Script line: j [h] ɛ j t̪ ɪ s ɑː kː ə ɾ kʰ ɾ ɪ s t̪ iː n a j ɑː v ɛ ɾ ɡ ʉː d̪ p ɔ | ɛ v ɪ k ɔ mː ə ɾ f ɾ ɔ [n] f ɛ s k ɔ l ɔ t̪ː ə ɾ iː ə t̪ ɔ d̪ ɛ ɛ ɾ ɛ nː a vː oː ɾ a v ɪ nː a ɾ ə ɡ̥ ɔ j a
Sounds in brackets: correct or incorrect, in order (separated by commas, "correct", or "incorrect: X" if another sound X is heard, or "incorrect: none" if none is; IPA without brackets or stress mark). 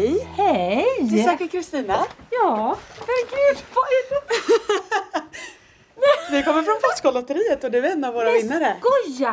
correct, correct